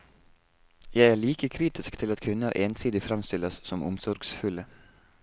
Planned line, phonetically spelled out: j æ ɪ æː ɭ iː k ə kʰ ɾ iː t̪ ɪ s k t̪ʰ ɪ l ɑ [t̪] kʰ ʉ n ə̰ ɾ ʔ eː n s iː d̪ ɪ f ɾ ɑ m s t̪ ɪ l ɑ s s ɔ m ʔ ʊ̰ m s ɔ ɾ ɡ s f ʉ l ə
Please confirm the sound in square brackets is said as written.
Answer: yes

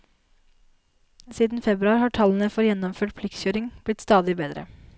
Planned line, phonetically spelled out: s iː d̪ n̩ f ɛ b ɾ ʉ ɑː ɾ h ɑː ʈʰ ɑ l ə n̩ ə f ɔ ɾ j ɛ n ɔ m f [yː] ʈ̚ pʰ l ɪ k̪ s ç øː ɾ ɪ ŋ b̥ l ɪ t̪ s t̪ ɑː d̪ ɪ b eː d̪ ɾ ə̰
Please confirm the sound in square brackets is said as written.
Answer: no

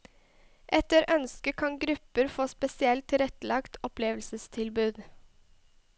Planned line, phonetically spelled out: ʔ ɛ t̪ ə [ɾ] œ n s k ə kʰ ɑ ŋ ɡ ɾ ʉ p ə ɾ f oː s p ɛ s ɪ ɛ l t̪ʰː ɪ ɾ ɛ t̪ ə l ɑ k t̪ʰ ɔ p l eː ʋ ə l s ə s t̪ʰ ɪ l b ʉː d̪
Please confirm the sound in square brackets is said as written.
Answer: yes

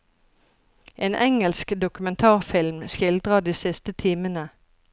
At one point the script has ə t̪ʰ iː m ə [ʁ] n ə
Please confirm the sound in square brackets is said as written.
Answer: no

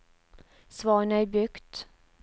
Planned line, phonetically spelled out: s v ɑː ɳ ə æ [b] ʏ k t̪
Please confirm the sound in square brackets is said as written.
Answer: yes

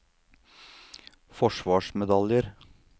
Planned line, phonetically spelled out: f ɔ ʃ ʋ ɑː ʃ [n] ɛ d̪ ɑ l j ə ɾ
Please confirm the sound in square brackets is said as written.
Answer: no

